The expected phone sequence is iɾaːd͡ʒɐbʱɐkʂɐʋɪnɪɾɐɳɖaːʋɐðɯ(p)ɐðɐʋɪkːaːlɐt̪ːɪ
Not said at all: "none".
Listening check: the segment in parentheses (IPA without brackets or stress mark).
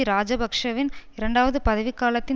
p